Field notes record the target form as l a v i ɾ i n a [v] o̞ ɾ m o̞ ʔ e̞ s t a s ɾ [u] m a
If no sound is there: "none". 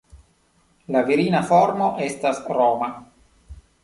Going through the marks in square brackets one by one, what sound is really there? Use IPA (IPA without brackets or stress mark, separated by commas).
f, o